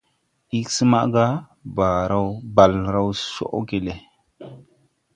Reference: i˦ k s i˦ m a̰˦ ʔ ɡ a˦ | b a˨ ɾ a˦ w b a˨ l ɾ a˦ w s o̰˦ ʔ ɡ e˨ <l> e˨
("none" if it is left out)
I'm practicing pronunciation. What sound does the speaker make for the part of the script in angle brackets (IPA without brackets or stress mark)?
l